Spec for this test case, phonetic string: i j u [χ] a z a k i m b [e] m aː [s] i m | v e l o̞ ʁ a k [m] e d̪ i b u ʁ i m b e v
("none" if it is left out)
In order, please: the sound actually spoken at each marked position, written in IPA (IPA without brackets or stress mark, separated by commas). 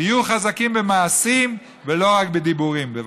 χ, e, s, b